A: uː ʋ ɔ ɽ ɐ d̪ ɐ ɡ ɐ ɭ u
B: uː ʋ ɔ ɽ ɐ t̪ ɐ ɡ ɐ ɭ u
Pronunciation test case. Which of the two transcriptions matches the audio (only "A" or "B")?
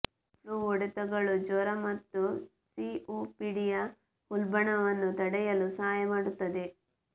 B